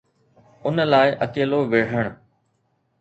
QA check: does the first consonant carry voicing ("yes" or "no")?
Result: yes